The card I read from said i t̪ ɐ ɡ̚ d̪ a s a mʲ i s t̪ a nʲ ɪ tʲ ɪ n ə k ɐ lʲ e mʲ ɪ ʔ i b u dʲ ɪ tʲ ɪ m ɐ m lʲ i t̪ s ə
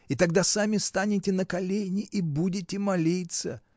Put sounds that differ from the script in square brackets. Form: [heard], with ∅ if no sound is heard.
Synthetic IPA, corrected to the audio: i t̪ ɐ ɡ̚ d̪ a s a mʲ [ɪ] s t̪ a nʲ ɪ tʲ ɪ n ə k ɐ lʲ e [nʲ] ɪ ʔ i b u dʲ ɪ tʲ ɪ m ɐ [∅] lʲ i t̪ s ə